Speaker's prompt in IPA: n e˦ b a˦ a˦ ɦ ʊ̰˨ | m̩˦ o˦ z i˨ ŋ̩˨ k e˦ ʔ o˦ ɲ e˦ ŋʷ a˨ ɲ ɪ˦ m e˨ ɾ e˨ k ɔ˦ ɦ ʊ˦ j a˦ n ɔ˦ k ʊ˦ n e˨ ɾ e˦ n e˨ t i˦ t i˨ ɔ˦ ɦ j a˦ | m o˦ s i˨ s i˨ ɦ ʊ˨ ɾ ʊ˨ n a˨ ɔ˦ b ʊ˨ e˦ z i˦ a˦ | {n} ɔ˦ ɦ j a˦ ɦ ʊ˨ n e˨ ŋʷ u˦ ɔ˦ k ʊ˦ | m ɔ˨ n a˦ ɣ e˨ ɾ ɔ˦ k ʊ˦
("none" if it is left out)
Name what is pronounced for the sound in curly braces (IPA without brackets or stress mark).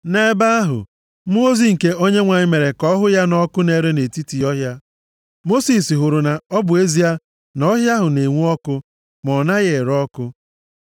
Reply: n